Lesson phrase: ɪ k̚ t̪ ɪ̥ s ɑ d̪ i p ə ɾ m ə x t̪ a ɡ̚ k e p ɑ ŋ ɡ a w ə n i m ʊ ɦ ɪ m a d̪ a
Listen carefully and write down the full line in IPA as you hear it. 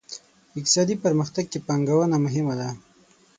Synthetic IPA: ɪ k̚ t̪ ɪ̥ s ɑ d̪ i p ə ɾ m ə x t̪ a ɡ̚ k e p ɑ ŋ ɡ a w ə n a m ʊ ɦ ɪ m a d̪ a